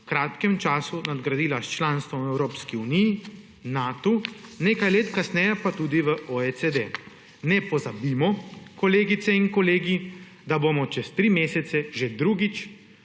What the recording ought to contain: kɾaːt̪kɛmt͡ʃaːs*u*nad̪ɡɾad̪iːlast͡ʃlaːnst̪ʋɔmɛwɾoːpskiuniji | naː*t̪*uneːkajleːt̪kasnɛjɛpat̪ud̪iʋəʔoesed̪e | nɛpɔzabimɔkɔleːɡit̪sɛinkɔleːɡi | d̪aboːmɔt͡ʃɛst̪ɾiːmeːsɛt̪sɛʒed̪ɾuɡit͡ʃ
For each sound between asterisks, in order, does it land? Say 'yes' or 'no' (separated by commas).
yes, yes